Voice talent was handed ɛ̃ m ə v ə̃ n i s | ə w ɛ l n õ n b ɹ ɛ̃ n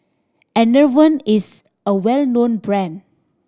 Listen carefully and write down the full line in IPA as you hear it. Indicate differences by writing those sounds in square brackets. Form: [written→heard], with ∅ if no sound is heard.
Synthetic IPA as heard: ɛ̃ [m→n] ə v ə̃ n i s | ə w ɛ l n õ n b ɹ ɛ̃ n